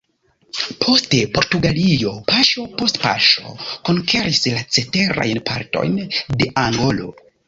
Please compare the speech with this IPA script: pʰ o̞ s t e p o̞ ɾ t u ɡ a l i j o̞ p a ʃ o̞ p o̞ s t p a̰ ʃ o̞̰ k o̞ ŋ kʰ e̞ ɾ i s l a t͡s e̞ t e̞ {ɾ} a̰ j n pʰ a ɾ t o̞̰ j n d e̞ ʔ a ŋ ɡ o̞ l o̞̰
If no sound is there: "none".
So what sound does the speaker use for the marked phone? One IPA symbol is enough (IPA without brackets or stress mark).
ɾ